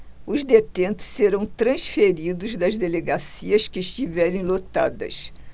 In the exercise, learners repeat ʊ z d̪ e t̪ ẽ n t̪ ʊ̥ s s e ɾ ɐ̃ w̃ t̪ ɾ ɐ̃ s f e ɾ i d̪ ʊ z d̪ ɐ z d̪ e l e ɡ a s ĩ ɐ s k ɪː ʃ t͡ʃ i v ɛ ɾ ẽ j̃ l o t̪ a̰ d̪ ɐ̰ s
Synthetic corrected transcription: ʊ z d̪ e t̪ ẽ n t̪ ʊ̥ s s e ɾ ɐ̃ w̃ t̪ ɾ ɐ̃ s f e ɾ i d̪ ʊ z d̪ ɐ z d̪ e l e ɡ a s i ɐ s k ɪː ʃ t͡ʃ i v ɛ ɾ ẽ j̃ l o t̪ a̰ d̪ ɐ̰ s

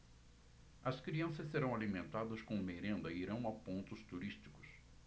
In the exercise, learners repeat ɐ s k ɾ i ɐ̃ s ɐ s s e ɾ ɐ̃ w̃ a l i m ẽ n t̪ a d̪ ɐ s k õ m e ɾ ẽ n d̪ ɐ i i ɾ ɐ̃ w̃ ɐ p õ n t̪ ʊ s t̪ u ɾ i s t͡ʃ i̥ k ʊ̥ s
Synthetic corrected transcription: ɐ s k ɾ i ɐ̃ s ɐ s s e ɾ ɐ̃ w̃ a l i m ẽ n t̪ a d̪ ɐ s k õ m e ɾ ẽ n d̪ ɐ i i ɾ ɐ̃ w̃ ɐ p õ n t̪ ʊ s t̪ u ɾ i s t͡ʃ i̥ k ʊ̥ s

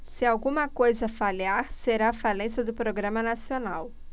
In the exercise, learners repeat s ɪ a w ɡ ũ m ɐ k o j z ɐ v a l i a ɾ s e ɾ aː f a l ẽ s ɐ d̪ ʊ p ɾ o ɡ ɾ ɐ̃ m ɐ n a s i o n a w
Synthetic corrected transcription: s ɪ a w ɡ ũ m ɐ k o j z ɐ f a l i a ɾ s e ɾ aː f a l ẽ s ɐ d̪ ʊ p ɾ o ɡ ɾ ɐ̃ m ɐ n a s i o n a w

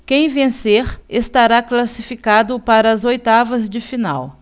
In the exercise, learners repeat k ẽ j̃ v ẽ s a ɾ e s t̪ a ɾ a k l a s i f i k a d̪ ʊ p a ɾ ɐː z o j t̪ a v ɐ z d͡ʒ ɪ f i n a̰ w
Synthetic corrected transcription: k ẽ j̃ v ẽ s e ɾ e s t̪ a ɾ a k l a s i f i k a d̪ ʊ p a ɾ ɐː z o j t̪ a v ɐ z d͡ʒ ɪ f i n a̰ w

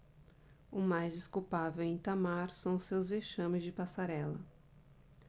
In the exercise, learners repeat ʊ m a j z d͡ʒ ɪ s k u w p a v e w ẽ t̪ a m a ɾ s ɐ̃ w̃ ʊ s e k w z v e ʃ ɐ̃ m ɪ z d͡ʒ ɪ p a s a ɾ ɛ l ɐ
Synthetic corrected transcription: ʊ m a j z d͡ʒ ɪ s k u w p a v e w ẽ t̪ a m a ɾ s ɐ̃ w̃ ʊ s e w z v e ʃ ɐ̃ m ɪ z d͡ʒ ɪ p a s a ɾ ɛ l ɐ

